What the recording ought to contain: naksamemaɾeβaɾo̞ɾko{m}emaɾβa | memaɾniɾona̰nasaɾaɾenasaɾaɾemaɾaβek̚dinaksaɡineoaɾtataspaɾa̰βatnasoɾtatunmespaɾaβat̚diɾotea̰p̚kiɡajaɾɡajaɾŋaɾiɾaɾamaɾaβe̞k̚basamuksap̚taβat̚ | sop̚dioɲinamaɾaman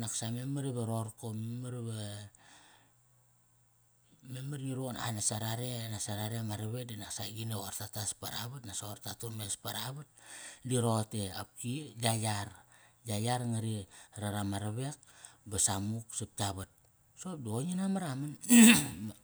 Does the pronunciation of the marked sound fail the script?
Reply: no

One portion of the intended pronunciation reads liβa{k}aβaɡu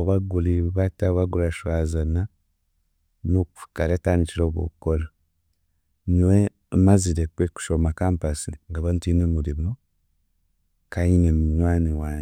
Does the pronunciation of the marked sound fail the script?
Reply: yes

